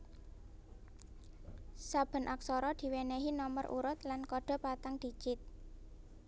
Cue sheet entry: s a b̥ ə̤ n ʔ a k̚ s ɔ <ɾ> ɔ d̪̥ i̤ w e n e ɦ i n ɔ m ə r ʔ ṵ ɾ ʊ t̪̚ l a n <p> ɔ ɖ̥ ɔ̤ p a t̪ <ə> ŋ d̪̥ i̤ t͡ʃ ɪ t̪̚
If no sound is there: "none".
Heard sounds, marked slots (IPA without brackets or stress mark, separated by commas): ɾ, k, a